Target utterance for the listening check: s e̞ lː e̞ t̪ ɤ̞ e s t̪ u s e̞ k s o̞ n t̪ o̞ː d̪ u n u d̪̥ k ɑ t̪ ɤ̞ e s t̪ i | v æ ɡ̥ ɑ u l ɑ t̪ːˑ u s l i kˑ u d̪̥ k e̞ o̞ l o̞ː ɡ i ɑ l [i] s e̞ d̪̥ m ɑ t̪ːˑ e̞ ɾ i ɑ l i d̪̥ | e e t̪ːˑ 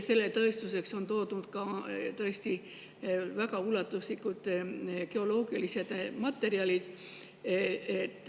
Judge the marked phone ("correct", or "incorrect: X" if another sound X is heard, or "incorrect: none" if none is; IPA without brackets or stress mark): correct